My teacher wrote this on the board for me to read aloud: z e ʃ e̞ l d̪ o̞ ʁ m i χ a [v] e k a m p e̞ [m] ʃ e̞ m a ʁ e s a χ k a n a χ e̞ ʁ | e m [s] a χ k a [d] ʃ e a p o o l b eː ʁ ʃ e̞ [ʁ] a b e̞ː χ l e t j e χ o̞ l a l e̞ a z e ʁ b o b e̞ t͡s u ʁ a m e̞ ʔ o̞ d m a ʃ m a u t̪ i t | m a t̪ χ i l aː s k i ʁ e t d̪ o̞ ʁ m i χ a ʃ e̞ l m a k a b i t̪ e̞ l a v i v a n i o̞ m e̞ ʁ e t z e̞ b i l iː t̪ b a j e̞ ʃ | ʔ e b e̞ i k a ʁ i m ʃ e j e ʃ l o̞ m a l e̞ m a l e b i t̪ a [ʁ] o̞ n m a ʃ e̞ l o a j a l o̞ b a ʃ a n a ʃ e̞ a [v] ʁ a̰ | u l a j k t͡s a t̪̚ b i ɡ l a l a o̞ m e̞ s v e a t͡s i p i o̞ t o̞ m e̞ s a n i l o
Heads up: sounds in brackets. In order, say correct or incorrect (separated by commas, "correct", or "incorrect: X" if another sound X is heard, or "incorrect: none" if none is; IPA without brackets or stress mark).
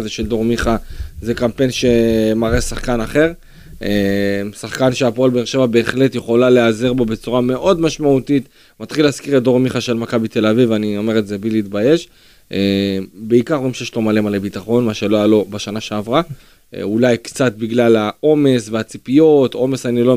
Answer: incorrect: z, incorrect: n, correct, incorrect: n, incorrect: v, incorrect: χ, correct